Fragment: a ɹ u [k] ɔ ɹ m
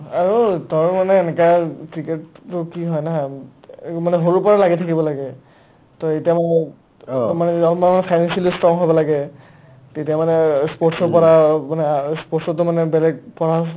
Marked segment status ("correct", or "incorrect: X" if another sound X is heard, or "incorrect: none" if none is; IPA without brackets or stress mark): incorrect: t